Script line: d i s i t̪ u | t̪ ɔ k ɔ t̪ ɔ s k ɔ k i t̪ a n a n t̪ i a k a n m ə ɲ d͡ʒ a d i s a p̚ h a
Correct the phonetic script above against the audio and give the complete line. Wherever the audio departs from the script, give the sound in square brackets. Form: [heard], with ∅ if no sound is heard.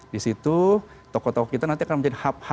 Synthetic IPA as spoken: d i s i t̪ u | t̪ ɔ k ɔ t̪ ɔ [∅] k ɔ k i t̪ a n a n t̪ i a k a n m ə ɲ d͡ʒ a d i [h] a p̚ h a